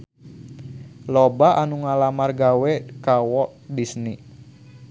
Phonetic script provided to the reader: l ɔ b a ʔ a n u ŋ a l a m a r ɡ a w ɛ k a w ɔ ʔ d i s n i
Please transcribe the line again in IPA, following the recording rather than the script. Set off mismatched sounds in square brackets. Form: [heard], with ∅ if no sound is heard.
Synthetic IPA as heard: l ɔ b a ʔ a n u ŋ a l a m a r ɡ a w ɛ k a w ɔ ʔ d i s n i